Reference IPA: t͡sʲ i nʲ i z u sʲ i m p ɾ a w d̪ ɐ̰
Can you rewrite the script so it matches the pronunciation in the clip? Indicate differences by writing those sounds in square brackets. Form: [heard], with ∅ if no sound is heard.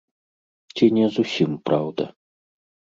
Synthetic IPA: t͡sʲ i nʲ [ɛ] z u sʲ i m p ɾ a w d̪ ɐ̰